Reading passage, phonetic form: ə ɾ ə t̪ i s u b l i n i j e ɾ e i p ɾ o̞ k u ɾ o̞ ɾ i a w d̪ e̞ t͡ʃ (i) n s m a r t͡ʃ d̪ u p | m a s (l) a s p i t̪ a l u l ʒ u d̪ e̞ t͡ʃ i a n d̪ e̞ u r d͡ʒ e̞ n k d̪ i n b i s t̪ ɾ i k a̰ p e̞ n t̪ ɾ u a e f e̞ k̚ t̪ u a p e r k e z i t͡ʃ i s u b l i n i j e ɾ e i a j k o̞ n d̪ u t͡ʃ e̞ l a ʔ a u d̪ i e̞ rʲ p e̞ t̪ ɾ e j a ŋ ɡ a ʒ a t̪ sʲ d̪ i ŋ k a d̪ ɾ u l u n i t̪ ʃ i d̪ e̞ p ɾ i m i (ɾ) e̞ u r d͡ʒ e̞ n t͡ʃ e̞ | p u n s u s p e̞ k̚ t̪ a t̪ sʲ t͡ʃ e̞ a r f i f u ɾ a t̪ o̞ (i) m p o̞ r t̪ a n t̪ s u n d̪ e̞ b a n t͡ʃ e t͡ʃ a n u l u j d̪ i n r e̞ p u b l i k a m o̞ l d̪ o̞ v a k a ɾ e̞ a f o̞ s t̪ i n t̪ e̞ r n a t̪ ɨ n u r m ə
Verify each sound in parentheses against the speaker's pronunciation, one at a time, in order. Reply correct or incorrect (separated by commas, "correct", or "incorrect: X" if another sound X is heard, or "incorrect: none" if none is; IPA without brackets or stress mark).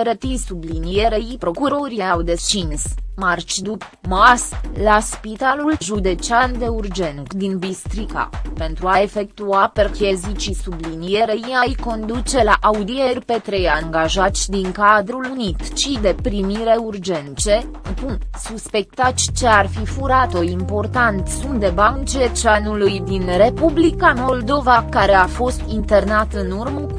correct, correct, correct, correct